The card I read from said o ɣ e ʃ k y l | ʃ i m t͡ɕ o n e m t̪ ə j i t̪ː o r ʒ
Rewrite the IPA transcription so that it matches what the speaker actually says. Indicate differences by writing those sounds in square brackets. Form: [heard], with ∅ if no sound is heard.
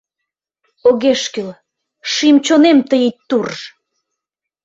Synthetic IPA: o ɣ e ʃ k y l | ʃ i m t͡ɕ o n e m t̪ ə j i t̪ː [u] r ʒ